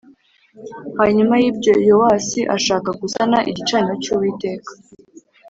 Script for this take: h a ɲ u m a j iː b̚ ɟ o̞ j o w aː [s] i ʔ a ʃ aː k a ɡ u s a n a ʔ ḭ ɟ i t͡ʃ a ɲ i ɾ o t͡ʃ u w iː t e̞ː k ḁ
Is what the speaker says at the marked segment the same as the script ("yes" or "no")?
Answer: yes